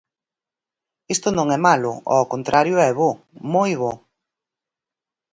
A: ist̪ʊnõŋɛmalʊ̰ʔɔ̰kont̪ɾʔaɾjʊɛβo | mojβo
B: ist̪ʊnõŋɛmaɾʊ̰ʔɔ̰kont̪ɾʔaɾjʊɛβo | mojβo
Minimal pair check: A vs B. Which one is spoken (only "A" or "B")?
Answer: A